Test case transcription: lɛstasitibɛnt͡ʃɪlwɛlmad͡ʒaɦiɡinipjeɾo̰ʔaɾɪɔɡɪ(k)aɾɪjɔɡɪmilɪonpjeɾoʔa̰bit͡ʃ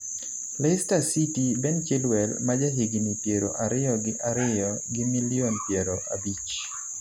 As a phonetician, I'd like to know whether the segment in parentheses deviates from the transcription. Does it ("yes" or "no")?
yes